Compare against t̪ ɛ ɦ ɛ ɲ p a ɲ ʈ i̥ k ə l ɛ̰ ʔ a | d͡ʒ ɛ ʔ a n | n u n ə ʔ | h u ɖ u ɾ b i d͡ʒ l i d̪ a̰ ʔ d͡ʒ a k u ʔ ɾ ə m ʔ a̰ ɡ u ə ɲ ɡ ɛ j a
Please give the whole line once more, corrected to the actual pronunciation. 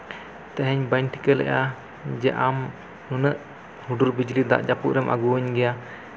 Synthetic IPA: t̪ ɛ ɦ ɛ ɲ b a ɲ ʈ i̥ k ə l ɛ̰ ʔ a | d͡ʒ ɛ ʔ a m | n u n ə ʔ | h u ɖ u ɾ b i d͡ʒ l i d̪ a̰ ʔ d͡ʒ a p u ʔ ɾ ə m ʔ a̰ ɡ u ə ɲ ɡ ɛ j a